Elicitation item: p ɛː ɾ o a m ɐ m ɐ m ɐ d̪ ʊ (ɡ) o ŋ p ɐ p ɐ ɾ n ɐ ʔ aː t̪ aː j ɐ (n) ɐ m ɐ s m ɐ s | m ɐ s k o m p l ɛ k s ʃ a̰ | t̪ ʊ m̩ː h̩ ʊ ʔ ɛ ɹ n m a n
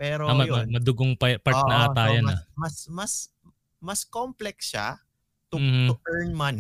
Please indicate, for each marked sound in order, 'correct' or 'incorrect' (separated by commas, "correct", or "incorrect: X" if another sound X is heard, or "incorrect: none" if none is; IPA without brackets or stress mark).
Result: correct, correct